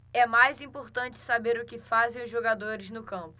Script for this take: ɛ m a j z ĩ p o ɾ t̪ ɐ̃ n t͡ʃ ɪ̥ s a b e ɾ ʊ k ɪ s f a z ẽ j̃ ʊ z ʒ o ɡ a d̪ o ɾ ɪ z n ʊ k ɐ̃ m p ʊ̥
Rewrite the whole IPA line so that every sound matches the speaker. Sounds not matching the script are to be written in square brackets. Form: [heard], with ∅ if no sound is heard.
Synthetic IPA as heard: ɛ m a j z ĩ p o ɾ t̪ ɐ̃ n t͡ʃ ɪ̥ s a b e ɾ ʊ k ɪ [∅] f a z ẽ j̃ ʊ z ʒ o ɡ a d̪ o ɾ ɪ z n ʊ k ɐ̃ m p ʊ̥